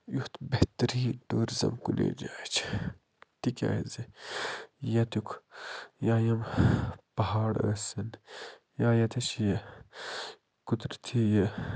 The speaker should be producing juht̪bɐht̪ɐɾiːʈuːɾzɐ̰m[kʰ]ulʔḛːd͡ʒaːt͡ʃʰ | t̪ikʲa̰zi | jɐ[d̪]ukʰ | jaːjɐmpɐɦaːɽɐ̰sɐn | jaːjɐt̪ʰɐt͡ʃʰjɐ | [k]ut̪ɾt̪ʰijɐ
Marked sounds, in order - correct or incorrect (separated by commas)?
incorrect, incorrect, correct